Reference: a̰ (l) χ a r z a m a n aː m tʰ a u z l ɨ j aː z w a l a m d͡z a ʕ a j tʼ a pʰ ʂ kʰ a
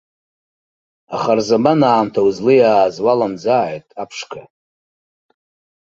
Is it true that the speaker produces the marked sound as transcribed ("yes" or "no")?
no